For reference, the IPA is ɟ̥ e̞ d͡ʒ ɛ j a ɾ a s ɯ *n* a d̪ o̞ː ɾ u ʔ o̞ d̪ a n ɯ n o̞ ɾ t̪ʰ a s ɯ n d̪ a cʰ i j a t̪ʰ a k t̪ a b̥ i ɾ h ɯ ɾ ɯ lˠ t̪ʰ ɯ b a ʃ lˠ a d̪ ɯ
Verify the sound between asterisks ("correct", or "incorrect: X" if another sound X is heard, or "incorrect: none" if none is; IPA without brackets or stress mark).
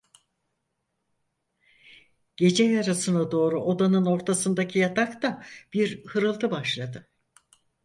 correct